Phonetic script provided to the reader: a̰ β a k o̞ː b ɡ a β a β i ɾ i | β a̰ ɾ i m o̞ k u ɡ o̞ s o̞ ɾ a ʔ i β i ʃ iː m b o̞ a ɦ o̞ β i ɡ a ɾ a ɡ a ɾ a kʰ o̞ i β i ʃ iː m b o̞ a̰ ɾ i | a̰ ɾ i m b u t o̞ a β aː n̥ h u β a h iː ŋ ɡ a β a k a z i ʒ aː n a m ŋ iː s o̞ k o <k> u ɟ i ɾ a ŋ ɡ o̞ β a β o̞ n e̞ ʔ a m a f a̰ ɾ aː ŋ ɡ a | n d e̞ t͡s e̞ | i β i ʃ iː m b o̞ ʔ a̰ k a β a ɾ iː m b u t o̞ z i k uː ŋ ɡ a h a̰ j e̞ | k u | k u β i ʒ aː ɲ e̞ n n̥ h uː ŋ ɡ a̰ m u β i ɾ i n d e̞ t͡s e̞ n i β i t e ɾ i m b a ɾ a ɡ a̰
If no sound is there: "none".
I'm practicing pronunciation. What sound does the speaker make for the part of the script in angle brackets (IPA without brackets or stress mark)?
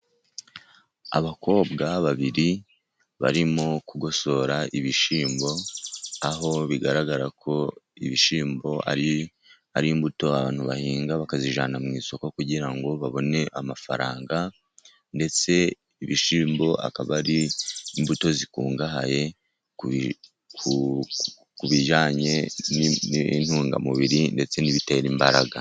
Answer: k